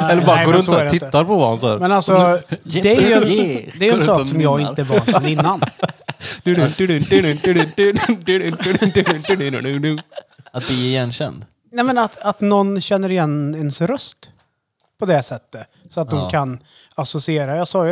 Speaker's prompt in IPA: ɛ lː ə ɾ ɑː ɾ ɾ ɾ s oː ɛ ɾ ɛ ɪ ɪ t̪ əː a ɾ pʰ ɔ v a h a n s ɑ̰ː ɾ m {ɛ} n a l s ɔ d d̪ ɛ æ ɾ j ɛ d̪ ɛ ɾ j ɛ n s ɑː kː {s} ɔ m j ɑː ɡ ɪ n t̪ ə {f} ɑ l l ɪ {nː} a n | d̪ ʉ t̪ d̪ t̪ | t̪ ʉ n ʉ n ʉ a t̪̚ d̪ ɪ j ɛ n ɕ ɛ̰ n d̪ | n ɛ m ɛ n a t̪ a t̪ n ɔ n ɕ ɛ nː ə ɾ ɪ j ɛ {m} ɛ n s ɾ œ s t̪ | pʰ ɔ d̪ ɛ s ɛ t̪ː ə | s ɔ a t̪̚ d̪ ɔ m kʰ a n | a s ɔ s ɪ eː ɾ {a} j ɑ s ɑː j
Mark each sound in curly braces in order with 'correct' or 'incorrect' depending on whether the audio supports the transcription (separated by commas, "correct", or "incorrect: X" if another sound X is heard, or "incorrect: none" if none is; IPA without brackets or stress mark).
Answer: correct, correct, incorrect: v, correct, incorrect: n, correct